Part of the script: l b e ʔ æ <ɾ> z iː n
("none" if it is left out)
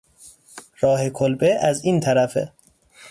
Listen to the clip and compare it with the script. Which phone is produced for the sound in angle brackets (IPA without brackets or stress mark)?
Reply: none